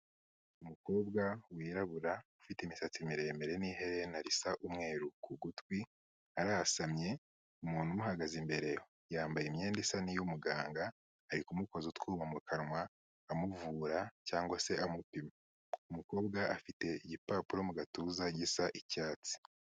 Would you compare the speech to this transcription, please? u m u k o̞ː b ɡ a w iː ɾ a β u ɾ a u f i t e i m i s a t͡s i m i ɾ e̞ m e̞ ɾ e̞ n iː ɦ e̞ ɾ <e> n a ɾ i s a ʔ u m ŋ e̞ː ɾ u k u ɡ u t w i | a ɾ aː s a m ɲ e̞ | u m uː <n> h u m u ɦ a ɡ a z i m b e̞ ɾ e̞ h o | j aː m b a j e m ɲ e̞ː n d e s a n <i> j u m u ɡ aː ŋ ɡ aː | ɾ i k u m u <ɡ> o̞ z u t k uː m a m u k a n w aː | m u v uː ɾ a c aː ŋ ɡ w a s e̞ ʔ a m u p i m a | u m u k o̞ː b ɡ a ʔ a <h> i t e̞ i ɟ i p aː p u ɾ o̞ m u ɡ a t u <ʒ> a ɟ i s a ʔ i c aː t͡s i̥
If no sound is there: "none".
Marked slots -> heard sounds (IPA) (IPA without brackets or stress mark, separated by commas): e, n, i, k, f, z